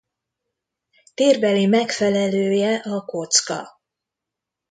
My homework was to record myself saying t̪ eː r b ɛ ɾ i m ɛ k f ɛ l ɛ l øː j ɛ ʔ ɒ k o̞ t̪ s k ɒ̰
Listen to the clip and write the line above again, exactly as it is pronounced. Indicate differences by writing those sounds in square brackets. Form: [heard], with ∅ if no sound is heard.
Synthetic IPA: t̪ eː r b ɛ [l] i m ɛ k f ɛ l ɛ l øː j ɛ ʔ ɒ k o̞ t̪ s k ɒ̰